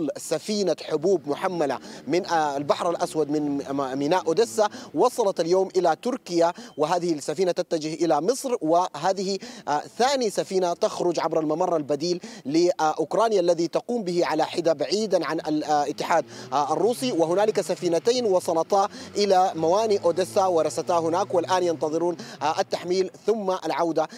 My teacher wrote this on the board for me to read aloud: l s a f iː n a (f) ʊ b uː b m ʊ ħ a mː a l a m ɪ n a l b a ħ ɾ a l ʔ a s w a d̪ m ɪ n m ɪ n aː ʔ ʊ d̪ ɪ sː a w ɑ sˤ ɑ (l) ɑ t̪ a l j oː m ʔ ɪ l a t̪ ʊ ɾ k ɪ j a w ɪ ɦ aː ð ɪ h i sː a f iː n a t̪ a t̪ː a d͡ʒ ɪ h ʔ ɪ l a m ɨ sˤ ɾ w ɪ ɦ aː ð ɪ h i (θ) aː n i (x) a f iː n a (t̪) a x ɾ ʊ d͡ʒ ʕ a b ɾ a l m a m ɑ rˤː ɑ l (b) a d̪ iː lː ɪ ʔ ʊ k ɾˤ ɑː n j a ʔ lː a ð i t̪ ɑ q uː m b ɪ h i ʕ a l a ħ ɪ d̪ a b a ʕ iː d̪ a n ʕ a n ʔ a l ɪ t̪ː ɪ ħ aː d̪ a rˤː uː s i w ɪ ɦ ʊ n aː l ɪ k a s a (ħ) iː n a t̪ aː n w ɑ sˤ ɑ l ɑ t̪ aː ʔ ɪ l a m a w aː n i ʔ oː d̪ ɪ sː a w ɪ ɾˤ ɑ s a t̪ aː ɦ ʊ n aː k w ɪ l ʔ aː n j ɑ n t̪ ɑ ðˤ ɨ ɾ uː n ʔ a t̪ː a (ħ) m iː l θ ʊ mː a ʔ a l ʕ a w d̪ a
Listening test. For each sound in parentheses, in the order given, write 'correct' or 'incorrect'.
incorrect: ħ, correct, correct, incorrect: s, correct, correct, incorrect: f, correct

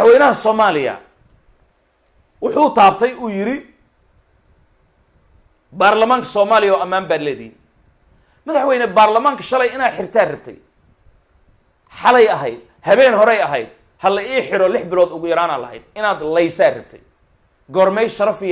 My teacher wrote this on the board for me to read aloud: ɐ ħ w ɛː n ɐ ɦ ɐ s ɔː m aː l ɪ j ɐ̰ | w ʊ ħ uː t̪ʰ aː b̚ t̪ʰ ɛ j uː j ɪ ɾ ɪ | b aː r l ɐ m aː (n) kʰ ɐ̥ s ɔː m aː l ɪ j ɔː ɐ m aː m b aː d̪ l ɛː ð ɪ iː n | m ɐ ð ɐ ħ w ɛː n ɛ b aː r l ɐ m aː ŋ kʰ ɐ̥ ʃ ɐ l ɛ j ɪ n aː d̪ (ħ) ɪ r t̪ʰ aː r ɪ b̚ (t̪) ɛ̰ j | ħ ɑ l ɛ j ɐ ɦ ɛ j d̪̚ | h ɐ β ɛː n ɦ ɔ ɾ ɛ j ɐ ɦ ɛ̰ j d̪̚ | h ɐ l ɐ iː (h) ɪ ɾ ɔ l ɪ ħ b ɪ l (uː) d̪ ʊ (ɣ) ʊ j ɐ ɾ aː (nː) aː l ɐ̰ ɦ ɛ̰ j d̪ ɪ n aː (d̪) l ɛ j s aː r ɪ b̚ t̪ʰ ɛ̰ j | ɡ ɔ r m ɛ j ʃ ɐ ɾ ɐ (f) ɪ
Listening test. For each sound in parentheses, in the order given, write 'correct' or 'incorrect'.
incorrect: ŋ, correct, incorrect: t̪ʰ, incorrect: ħ, incorrect: ɔː, correct, incorrect: n, correct, correct

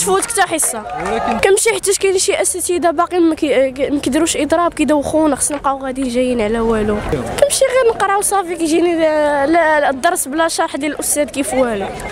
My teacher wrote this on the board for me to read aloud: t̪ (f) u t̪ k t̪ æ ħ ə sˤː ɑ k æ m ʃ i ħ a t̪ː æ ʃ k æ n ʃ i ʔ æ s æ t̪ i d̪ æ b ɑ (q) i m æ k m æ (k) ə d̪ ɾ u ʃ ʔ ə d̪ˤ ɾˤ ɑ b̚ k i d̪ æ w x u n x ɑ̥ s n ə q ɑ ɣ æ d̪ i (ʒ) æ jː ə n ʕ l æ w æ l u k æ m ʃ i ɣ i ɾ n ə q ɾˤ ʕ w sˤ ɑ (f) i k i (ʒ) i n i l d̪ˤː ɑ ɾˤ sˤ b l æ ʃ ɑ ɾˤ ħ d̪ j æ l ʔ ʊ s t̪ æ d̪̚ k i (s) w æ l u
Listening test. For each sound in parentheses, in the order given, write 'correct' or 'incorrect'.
correct, correct, correct, correct, correct, correct, incorrect: f

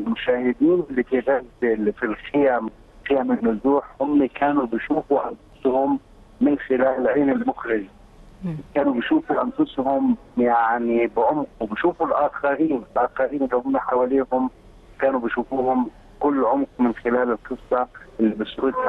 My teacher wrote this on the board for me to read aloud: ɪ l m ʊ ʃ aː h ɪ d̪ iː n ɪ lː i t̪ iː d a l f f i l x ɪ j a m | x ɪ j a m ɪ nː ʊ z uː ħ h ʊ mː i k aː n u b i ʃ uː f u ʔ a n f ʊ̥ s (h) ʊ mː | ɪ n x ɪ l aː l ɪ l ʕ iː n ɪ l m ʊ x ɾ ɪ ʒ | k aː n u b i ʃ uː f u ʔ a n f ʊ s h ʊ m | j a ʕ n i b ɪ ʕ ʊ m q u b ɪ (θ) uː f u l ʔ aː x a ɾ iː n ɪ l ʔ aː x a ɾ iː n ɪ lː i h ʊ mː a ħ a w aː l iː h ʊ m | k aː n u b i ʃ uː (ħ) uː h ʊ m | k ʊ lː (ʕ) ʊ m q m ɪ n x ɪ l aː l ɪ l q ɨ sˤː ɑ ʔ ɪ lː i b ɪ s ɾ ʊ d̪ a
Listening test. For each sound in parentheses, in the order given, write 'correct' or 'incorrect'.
correct, incorrect: ʃ, incorrect: f, correct

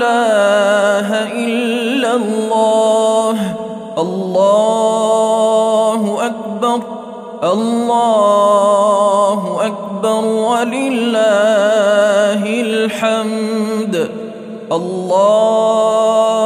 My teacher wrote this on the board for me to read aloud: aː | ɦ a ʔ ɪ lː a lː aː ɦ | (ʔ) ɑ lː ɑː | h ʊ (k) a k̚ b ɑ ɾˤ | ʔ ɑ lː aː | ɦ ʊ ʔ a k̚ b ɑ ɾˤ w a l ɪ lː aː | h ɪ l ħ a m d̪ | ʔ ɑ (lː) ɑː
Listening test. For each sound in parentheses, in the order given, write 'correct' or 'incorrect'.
correct, incorrect: ʔ, correct

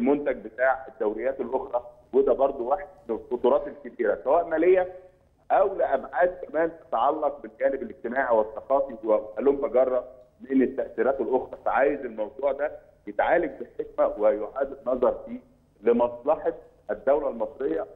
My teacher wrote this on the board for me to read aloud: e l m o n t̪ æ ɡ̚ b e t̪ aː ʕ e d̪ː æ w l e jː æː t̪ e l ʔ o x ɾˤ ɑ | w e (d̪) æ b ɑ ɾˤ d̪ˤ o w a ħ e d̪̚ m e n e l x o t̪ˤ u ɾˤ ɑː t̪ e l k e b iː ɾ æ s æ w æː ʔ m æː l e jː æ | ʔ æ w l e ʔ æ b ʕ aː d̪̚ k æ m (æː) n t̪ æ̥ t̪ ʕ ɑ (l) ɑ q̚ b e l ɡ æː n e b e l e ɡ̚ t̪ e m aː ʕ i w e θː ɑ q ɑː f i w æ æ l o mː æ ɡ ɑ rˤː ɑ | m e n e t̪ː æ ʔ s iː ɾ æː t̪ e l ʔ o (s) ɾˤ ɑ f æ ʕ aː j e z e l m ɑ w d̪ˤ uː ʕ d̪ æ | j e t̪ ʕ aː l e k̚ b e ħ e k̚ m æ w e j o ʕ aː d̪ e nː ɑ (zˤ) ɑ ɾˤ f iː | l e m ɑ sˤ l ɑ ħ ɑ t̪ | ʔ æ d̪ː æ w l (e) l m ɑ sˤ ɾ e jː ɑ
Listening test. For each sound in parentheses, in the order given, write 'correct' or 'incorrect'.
correct, correct, incorrect: lː, incorrect: x, correct, incorrect: æ

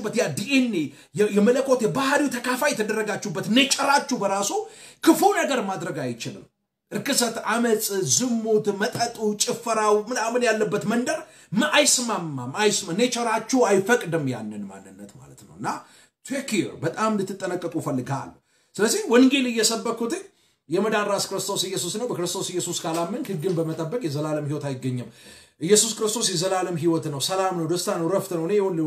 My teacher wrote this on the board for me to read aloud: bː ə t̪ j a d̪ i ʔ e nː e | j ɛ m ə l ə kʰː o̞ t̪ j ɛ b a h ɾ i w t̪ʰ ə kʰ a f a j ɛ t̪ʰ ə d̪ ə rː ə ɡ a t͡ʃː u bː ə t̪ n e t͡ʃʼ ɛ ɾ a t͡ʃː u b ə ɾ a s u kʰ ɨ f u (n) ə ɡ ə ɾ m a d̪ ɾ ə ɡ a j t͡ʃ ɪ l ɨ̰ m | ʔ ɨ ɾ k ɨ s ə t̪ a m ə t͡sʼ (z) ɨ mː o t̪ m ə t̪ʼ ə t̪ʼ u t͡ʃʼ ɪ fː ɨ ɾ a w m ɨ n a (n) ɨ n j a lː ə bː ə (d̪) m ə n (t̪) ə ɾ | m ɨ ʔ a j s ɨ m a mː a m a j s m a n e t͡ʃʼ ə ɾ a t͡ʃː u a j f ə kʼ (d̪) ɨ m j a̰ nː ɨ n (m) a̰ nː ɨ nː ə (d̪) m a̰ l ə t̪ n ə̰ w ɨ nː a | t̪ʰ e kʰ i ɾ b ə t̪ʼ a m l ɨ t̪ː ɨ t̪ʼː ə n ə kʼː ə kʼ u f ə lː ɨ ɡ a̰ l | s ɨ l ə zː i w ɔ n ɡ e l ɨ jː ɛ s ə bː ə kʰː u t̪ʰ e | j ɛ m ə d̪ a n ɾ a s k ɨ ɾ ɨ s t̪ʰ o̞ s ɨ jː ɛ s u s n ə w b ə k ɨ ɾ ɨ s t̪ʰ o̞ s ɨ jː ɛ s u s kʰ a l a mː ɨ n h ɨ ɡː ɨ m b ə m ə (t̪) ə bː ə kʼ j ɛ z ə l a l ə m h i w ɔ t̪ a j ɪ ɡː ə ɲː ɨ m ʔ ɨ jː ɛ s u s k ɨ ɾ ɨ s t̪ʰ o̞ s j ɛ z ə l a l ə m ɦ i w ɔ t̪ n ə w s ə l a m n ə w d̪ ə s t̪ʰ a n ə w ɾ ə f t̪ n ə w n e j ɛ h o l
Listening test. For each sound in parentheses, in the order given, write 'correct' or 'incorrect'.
correct, correct, incorrect: m, incorrect: t̪, incorrect: d̪, correct, correct, incorrect: t̪, incorrect: t̪ʼ

